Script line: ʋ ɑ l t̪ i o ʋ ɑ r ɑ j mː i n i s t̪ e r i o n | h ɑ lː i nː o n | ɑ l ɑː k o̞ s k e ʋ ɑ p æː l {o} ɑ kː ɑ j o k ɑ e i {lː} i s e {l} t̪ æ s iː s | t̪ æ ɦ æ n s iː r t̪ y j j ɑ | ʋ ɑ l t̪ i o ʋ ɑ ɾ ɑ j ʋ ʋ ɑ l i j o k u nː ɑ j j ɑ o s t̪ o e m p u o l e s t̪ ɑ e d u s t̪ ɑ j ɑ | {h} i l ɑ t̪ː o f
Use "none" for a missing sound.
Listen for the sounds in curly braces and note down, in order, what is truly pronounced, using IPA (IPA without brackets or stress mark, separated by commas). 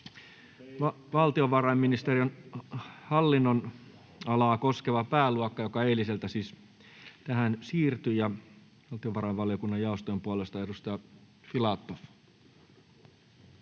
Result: u, l, l, f